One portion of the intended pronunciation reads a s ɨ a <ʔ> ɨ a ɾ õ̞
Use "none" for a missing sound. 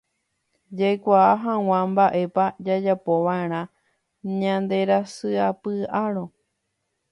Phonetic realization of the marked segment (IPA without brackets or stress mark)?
p